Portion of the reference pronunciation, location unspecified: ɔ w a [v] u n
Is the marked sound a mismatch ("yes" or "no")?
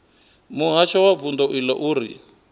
no